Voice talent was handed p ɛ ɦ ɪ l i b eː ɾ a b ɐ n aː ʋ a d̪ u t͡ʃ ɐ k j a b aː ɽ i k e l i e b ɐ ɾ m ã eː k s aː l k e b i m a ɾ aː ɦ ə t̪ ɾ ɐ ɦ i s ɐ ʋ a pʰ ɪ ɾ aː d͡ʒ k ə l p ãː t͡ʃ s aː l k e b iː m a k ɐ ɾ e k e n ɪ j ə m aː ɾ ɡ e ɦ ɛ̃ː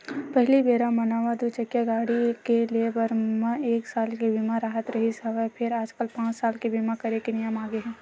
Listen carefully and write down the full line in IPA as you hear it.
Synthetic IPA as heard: p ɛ ɦ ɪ l i b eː ɾ a m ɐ n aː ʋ a d̪ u t͡ʃ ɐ k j a ɡ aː ɽ i k e l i e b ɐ ɾ m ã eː k s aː l k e b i m a ɾ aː ɦ ə t̪ ɾ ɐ ɦ i s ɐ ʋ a pʰ ɪ ɾ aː d͡ʒ k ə l p ãː t͡ʃ s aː l k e b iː m a k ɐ ɾ e k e n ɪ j ə m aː ɡ e ɦ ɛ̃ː

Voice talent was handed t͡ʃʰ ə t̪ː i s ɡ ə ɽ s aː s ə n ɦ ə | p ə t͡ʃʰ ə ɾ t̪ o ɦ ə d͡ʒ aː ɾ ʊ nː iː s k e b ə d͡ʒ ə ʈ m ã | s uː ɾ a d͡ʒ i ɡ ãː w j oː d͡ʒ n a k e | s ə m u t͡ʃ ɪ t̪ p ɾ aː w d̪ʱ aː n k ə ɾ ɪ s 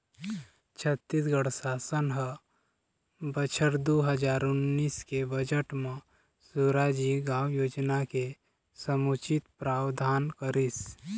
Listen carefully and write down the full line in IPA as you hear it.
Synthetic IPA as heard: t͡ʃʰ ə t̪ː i s ɡ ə ɽ s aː s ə n ɦ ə | b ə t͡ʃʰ ə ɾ d̪ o ɦ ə d͡ʒ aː ɾ ʊ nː iː s k e b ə d͡ʒ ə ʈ m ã | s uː ɾ a d͡ʒ i ɡ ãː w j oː d͡ʒ n a k e | s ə m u t͡ʃ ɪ t̪ p ɾ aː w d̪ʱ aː n k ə ɾ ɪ s

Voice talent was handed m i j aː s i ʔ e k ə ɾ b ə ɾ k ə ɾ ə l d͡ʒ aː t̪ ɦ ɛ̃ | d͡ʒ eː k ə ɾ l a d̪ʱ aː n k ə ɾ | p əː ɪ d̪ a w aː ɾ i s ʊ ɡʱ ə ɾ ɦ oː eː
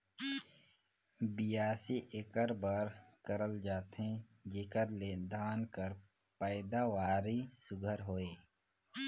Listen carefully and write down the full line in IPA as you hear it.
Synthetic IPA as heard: b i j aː s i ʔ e k ə ɾ b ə ɾ k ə ɾ ə l d͡ʒ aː t̪ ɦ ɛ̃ | d͡ʒ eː k ə ɾ l e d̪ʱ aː n k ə ɾ | p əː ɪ d̪ a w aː ɾ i s ʊ ɡʱ ə ɾ ɦ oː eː

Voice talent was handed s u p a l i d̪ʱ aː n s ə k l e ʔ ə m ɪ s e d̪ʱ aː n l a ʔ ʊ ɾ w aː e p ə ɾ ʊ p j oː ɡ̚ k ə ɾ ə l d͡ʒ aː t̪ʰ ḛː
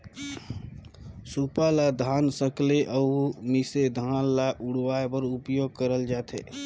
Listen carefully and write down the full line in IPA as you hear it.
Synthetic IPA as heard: s u p a l a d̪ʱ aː n s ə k l e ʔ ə m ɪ s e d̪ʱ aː n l a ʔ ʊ ɽ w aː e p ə ɾ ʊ p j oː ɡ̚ k ə ɾ ə l d͡ʒ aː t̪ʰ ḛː

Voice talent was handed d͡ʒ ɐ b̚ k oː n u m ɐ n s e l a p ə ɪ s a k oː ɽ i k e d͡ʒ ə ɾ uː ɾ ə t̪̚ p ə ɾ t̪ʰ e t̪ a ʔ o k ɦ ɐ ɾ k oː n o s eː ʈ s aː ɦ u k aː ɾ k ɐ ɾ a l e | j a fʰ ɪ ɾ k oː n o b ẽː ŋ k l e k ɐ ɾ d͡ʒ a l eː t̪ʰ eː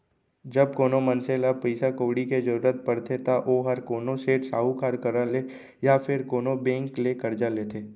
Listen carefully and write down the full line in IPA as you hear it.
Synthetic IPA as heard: d͡ʒ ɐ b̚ k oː n o m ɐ n s e l a p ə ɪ s a k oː ɽ i k e d͡ʒ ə ɾ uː ɾ ə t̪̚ p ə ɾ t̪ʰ e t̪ a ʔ o ɦ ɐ ɾ k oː n o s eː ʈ s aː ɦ u k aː ɾ k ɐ ɾ a l e | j a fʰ ɪ ɾ k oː n o b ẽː ŋ k l e k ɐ ɾ d͡ʒ a l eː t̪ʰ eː

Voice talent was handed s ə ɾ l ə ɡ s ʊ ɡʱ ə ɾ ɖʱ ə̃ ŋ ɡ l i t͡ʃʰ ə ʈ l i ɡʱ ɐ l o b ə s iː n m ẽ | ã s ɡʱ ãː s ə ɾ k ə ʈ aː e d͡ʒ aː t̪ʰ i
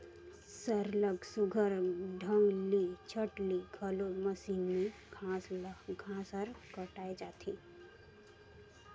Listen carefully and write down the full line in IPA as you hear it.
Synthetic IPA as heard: s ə ɾ l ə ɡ s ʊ ɡʱ ə ɾ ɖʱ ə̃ ŋ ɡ l i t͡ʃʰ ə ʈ l i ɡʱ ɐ l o m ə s iː n m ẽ | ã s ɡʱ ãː s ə ɾ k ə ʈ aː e d͡ʒ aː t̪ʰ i

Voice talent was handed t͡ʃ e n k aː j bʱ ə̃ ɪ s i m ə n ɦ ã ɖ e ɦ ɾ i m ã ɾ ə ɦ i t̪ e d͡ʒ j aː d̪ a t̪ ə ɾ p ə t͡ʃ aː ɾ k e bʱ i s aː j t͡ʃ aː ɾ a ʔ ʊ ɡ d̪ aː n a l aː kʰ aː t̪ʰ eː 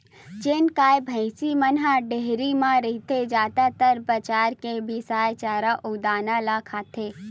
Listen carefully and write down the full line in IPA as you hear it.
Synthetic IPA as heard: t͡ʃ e n k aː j bʱ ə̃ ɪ s i m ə n ɦ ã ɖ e ɦ ɾ i m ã ɾ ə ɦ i t̪ e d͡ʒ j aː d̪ a t̪ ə ɾ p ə t͡ʃ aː ɾ k e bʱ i s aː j t͡ʃ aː ɾ a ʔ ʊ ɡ d̪ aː n a l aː kʰ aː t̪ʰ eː

